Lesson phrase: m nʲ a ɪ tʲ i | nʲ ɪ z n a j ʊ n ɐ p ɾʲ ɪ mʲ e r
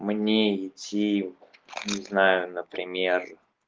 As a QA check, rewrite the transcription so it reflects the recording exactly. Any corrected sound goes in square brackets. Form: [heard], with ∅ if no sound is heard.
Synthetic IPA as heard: m nʲ [e] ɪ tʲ i | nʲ ɪ z n a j ʊ n [ə] p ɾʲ ɪ mʲ e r